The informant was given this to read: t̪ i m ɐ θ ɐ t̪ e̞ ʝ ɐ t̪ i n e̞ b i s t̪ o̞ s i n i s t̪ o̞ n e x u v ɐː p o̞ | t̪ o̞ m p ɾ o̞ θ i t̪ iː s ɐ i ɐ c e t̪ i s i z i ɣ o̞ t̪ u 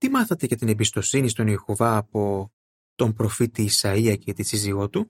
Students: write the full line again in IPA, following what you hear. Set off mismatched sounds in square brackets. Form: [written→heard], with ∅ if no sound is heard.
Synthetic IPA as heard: t̪ i m ɐ θ ɐ t̪ e̞ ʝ ɐ t̪ i n e̞ b i s t̪ o̞ s i n i s t̪ o̞ n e x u v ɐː p o̞ | t̪ o̞ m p ɾ o̞ [θ→f] i t̪ iː s ɐ i ɐ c e t̪ i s i z i ɣ o̞ t̪ u